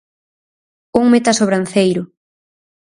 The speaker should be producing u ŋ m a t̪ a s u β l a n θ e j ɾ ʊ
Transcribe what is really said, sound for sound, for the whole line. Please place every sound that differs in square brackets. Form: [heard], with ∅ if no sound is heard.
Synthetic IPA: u ŋ m [e] t̪ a s [o] β [ɾ] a n θ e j ɾ ʊ